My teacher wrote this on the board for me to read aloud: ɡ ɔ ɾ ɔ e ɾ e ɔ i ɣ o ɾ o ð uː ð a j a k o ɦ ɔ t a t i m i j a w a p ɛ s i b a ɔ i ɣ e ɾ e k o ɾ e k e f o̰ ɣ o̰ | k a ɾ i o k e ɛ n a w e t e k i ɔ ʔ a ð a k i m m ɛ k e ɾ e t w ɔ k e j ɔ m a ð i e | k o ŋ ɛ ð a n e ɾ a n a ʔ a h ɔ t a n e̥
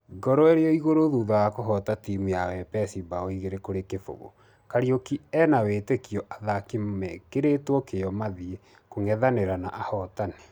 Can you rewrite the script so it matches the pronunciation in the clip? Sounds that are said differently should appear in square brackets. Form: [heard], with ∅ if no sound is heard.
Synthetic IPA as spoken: ɡ ɔ ɾ ɔ e ɾ e ɔ i ɣ o ɾ o ð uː ð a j a k o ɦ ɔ t a t i m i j a w [ɛ] p ɛ s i b a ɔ i ɣ e ɾ e k o ɾ e k e f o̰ ɣ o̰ | k a ɾ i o k [i] ɛ n a w e t e k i ɔ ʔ a ð a k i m m ɛ k e ɾ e t w ɔ k e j ɔ m a ð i e | k o ŋ ɛ ð a n e ɾ a n a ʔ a h ɔ t a n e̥